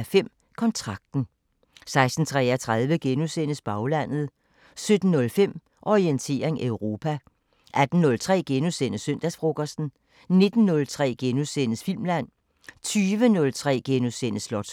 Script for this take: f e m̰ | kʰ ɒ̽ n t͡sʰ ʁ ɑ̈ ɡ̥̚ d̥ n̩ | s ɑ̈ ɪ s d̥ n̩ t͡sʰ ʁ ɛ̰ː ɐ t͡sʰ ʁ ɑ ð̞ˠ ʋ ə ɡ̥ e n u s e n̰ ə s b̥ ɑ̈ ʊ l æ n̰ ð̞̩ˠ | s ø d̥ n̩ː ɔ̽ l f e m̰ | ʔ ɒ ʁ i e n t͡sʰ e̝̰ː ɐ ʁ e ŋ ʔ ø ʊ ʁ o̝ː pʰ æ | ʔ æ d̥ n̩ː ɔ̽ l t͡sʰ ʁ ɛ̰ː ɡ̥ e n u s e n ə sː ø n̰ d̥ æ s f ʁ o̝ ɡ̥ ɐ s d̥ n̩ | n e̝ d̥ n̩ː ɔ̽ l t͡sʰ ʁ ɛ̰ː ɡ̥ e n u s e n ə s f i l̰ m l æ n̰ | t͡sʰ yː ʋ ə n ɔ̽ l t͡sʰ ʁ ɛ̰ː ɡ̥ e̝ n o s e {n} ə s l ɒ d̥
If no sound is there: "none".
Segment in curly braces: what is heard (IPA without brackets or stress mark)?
n